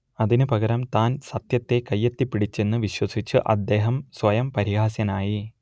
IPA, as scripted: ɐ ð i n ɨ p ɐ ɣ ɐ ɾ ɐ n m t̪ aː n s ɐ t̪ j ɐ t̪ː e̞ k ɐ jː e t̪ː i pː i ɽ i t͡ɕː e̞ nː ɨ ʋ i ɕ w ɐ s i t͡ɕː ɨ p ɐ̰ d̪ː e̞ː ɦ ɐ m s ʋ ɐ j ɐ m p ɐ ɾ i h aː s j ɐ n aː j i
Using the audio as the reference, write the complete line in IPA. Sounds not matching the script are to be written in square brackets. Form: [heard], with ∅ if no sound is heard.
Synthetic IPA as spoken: ɐ ð i n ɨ p ɐ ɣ ɐ ɾ ɐ [∅] m t̪ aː n s ɐ t̪ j ɐ t̪ː e̞ k ɐ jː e t̪ː i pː i ɽ i t͡ɕː e̞ nː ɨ ʋ i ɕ w ɐ s i t͡ɕː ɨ [ʔ] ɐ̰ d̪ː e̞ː ɦ ɐ m s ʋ ɐ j ɐ m p ɐ ɾ i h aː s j ɐ n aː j i

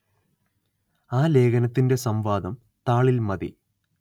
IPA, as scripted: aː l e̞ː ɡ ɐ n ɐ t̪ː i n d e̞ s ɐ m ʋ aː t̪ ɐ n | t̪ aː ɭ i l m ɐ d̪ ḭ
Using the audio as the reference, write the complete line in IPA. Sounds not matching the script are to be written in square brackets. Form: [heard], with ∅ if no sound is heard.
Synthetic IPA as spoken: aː l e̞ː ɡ ɐ n ɐ t̪ː i n d e̞ s ɐ m ʋ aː [d̪] ɐ [m] | t̪ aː ɭ i l m ɐ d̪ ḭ

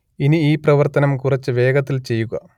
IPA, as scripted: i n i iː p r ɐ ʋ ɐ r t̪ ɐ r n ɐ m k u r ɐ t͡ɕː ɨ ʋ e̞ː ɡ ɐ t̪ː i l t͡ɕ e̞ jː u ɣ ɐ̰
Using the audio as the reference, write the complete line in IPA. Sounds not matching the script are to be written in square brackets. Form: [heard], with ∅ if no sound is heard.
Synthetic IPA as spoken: i n i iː p r ɐ ʋ ɐ r t̪ ɐ [∅] n ɐ m k u r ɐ t͡ɕː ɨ ʋ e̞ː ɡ ɐ t̪ː i l t͡ɕ e̞ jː u ɣ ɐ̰

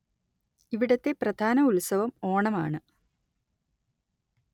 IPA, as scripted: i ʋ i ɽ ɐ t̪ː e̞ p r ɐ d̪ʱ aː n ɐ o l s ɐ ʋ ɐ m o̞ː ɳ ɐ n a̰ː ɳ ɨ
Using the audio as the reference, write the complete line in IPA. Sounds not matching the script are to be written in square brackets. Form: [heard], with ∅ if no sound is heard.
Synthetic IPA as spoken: i ʋ i ɽ ɐ t̪ː e̞ p r ɐ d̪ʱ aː n ɐ [u] l s ɐ ʋ ɐ m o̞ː ɳ ɐ [m] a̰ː ɳ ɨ

